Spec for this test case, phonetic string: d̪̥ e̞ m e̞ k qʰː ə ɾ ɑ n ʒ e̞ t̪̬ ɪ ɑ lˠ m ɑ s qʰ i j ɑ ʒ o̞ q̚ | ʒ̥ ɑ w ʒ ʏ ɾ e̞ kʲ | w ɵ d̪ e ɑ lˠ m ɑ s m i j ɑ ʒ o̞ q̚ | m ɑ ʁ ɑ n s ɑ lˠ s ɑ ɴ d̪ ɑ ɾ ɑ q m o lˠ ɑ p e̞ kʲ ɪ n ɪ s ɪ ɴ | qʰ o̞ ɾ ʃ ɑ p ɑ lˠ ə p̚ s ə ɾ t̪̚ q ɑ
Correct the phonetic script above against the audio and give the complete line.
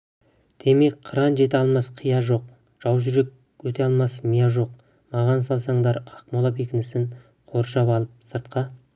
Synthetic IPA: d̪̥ e̞ m e̞ k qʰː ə ɾ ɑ n ʒ e̞ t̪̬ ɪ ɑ lˠ m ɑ s qʰ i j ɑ ʒ o̞ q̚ | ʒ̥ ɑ w ʒ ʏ ɾ e̞ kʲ | w ɵ t̪ e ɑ lˠ m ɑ s m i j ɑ ʒ o̞ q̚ | m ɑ ʁ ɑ n s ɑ lˠ s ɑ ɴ d̪ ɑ ɾ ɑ q m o lˠ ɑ p e̞ kʲ ɪ n ɪ s ɪ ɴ | qʰ o̞ ɾ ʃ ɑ p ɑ lˠ ə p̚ s ə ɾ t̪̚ q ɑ